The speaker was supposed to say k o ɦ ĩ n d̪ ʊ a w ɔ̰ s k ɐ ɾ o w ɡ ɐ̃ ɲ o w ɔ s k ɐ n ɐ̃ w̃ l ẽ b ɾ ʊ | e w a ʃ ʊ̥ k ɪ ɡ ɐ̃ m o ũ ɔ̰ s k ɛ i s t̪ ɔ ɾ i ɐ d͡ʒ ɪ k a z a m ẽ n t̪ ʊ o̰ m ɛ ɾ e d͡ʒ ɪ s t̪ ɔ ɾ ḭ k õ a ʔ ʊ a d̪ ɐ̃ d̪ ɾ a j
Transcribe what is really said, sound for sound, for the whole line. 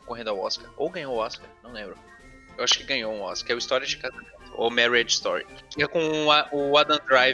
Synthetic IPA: k o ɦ ẽ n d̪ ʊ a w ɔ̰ s k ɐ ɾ o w ɡ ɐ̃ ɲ o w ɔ s k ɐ n ɐ̃ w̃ l ẽ b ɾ ʊ | e w a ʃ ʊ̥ k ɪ ɡ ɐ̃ ɲ o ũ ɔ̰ s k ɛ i s t̪ ɔ ɾ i ɐ d͡ʒ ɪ k a z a m ẽ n t̪ ʊ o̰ m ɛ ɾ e d͡ʒ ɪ s t̪ ɔ ɾ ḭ k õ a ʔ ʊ a d̪ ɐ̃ d̪ ɾ a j